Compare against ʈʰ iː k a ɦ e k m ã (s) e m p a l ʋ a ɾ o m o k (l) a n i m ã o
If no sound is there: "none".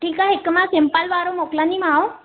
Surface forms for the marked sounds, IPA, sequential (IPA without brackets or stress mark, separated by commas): s, l